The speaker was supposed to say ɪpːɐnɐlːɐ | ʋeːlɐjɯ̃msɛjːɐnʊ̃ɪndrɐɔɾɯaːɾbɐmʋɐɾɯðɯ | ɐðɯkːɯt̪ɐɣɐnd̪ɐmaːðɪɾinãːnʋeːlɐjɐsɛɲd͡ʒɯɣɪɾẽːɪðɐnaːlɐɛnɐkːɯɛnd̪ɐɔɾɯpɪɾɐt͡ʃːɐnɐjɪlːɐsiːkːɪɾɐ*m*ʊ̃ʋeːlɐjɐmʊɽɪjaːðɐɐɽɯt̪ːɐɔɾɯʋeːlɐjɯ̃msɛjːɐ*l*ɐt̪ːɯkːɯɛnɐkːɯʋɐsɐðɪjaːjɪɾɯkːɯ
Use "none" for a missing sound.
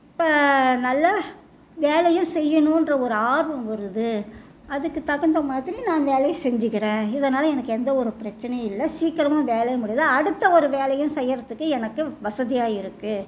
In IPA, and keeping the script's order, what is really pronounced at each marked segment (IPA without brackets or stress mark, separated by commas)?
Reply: m, ɾ